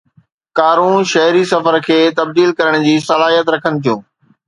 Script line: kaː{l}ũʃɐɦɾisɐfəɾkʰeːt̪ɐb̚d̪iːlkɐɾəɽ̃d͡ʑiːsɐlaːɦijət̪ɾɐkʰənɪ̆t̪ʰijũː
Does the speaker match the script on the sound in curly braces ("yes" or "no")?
no